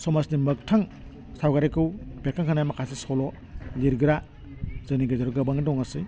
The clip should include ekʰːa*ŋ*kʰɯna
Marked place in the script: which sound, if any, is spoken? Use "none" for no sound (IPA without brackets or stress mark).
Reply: ŋ